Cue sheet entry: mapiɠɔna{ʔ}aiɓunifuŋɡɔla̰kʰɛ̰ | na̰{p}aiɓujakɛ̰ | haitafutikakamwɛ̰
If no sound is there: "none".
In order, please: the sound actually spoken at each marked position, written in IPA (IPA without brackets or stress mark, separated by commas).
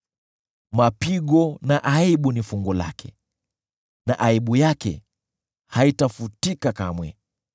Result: ʔ, ʔ